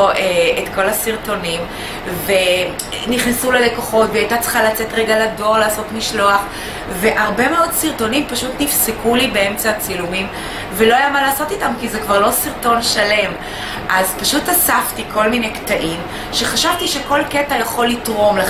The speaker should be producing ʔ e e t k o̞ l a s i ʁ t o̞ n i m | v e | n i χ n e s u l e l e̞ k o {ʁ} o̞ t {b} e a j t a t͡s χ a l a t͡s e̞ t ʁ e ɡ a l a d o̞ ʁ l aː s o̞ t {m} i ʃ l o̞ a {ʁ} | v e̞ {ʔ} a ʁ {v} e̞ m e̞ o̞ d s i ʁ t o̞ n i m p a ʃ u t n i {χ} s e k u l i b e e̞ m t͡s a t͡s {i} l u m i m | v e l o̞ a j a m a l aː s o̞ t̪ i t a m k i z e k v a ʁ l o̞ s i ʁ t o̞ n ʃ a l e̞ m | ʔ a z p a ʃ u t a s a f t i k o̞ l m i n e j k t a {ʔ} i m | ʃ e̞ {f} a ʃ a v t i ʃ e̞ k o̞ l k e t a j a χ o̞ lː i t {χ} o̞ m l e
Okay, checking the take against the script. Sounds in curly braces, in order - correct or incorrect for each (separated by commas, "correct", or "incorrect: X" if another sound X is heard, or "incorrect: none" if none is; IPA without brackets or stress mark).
incorrect: χ, incorrect: v, correct, incorrect: χ, correct, incorrect: b, incorrect: f, correct, correct, incorrect: χ, incorrect: ʁ